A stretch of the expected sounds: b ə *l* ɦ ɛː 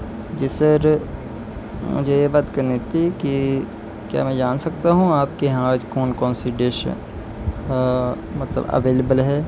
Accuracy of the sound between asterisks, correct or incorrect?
correct